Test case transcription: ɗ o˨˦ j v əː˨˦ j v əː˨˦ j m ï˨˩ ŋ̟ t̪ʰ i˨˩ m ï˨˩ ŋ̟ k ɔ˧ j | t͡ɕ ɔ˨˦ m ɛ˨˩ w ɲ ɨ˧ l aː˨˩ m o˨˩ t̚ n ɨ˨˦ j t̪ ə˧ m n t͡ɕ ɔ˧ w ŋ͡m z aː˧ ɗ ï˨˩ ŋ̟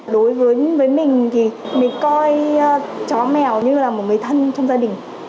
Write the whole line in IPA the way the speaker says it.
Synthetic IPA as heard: ɗ o˨˦ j v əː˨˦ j v əː˨˦ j m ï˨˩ ŋ̟ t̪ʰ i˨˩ m ï˨˩ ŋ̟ k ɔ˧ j | t͡ɕ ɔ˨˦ m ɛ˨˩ w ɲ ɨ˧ l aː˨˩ m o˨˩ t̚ ŋ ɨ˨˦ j t̪ʰ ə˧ n t͡ɕ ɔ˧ w ŋ͡m z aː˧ ɗ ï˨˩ ŋ̟